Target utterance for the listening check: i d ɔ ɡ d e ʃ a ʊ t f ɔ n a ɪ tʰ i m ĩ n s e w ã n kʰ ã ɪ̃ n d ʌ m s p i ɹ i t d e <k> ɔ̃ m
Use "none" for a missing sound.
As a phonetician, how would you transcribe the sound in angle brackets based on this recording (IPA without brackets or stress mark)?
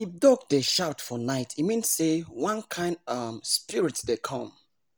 kʰ